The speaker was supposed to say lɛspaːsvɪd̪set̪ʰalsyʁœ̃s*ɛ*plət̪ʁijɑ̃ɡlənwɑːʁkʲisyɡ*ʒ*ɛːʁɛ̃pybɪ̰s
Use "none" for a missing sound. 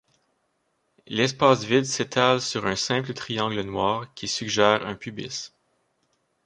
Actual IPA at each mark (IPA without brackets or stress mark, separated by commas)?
ɛ̃, ʒ